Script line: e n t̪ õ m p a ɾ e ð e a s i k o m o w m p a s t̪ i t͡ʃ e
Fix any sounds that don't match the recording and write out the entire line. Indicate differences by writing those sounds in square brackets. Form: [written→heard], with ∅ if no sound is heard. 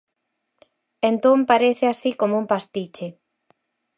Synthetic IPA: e n t̪ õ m p a ɾ e [ð→θ] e a s i k o m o [w→u] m p a s t̪ i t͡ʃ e